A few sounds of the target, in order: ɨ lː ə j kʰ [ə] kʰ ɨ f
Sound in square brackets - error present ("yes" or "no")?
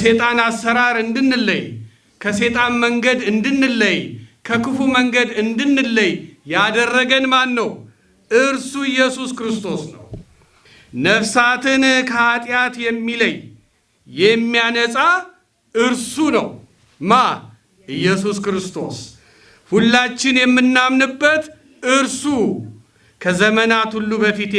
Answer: no